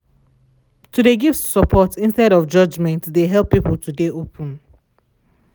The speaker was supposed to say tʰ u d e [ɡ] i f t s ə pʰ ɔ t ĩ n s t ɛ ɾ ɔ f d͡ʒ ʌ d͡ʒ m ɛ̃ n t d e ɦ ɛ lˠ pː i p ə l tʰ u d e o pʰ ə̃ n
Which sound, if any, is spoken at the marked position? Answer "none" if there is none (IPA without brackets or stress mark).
ɡ